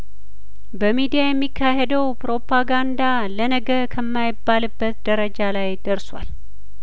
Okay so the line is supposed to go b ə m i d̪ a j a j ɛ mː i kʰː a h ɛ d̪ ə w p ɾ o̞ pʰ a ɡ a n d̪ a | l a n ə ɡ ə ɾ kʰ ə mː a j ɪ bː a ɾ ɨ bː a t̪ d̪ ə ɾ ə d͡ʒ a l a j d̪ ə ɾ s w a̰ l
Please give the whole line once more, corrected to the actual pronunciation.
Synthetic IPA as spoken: b ə m i d̪ i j a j ɛ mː i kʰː a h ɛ d̪ ə w p ɾ o̞ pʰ a ɡ a n d̪ a | l ə n ə ɡ ə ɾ kʰ ə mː a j ɪ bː a l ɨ bː ə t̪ d̪ ə ɾ ə d͡ʒ a l a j d̪ ə ɾ s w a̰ l